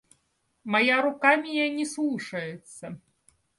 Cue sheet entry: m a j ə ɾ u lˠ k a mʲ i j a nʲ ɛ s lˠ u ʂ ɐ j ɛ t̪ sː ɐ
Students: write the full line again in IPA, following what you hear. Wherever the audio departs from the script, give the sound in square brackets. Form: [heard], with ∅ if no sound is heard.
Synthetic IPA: m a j [a] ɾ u [∅] k a mʲ i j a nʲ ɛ s lˠ u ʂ ɐ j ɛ t̪ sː ɐ

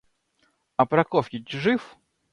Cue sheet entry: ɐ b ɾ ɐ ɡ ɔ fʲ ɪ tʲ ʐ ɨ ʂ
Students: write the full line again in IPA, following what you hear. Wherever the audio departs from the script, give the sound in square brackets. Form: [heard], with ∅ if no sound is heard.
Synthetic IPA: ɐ [p] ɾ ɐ [k] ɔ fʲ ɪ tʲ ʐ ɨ [f]

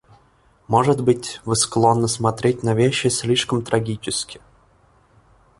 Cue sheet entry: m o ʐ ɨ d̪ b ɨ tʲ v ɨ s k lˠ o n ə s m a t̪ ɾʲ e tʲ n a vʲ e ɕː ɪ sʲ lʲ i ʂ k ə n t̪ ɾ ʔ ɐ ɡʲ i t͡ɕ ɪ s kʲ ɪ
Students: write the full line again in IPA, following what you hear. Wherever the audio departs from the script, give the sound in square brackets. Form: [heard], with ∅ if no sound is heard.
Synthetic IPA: m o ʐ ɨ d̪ b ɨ tʲ v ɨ s k lˠ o [nː] ə s m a t̪ ɾʲ e tʲ n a vʲ e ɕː ɪ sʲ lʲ i ʂ k ə [m] t̪ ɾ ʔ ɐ ɡʲ i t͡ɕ ɪ s kʲ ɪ

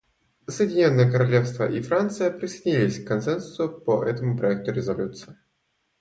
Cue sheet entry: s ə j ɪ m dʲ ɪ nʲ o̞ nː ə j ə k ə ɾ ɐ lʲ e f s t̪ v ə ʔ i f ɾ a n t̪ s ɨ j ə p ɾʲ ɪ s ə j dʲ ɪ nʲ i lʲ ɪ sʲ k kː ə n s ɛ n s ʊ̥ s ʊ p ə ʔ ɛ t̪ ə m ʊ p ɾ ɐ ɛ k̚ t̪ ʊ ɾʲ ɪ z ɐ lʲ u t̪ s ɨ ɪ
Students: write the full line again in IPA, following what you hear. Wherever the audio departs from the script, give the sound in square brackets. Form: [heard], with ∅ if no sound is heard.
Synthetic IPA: s ə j ɪ [∅] dʲ ɪ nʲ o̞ nː ə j ə k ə ɾ ɐ lʲ e f s t̪ v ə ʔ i f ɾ a n t̪ s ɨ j ə p ɾʲ ɪ s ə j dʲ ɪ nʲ i lʲ ɪ sʲ k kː [ɐ] n s ɛ n s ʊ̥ s ʊ p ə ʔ ɛ t̪ ə m ʊ p ɾ ɐ ɛ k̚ t̪ ʊ ɾʲ ɪ z ɐ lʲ u t̪ s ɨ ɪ

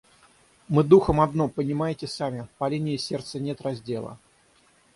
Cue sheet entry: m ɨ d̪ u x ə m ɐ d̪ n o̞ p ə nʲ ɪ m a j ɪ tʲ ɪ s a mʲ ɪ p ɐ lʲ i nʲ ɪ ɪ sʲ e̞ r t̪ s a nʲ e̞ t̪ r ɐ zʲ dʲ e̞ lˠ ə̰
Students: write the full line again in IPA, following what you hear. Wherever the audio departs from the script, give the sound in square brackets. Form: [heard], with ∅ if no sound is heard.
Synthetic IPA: m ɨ d̪ u x ə m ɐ d̪ n o̞ p ə nʲ ɪ m a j ɪ tʲ ɪ s a mʲ ɪ p ɐ lʲ i nʲ ɪ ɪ sʲ e̞ r t̪ s [ə] nʲ e̞ t̪ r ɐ zʲ dʲ e̞ lˠ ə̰

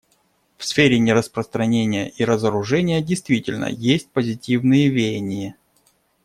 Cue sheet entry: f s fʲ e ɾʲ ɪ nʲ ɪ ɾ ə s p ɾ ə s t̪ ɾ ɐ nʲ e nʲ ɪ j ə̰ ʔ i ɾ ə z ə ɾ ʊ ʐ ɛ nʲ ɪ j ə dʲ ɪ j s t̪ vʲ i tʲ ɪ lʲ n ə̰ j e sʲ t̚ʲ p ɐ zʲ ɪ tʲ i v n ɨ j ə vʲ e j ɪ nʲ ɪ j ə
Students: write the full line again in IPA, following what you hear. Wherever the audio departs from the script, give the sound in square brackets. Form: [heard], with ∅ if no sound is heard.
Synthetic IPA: f s fʲ e ɾʲ ɪ nʲ ɪ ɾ ə s p ɾ ə s t̪ ɾ ɐ nʲ e nʲ ɪ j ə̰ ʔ i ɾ ə z ə ɾ ʊ ʐ ɛ nʲ ɪ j ə dʲ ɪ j s t̪ vʲ i tʲ ɪ lʲ n ə̰ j e sʲ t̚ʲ p [ə] zʲ ɪ tʲ i v n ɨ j ə vʲ e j ɪ nʲ ɪ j ə

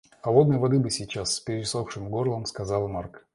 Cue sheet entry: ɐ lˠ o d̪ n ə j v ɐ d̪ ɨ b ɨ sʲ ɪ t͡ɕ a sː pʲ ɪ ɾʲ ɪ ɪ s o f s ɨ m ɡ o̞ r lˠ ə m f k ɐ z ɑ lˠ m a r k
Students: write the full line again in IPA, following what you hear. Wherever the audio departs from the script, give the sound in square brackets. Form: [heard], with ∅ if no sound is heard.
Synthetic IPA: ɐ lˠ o d̪ n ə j v ɐ d̪ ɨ b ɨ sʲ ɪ t͡ɕ a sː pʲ ɪ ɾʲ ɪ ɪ s o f [ʂ] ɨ m ɡ o̞ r lˠ ə m [s] k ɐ z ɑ lˠ m a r k

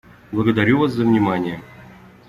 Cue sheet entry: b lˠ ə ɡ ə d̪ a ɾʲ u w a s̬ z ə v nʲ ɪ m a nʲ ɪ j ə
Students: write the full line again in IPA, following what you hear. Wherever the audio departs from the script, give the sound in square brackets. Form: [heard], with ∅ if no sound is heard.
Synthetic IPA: b lˠ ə ɡ ə d̪ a ɾʲ u [v] a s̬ z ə v nʲ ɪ m a nʲ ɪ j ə

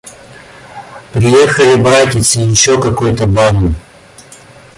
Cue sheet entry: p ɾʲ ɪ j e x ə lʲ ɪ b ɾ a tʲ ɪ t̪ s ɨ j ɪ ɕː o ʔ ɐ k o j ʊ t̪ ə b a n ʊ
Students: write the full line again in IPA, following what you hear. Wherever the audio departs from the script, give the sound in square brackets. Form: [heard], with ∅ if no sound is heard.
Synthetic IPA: p ɾʲ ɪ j e x ə lʲ ɪ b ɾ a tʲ ɪ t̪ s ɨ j ɪ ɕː o [k] ɐ k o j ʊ t̪ ə b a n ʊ

